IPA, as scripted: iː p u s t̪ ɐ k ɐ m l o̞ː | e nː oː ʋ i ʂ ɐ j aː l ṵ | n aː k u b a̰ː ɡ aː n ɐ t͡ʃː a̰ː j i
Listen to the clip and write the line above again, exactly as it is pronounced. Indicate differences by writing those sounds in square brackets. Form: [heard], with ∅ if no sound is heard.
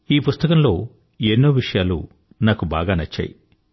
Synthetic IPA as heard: iː p u s t̪ ɐ k ɐ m l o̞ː | e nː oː ʋ i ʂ ɐ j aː l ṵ | n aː k u b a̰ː ɡ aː n ɐ t͡ʃː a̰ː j i